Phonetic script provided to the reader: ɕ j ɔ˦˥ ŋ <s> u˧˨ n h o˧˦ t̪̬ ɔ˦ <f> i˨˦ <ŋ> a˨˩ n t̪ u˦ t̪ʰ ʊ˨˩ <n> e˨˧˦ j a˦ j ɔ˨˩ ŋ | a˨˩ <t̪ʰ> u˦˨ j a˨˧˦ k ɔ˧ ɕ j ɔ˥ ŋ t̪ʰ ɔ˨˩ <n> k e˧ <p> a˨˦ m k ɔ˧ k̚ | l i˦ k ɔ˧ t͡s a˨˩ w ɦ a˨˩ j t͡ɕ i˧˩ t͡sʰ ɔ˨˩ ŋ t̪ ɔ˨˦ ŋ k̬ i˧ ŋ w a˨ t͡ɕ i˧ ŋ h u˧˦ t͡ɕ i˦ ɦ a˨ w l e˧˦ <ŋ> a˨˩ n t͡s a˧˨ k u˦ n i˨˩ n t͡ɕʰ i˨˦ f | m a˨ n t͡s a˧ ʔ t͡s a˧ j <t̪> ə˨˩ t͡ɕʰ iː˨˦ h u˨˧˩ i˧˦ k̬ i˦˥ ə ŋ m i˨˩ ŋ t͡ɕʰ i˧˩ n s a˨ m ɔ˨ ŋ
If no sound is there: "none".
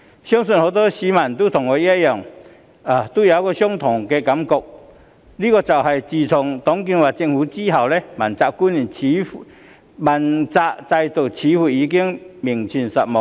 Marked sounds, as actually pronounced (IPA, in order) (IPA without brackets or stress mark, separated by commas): s, ɕ, m, ŋ, t̪, ŋ, k, m, t̪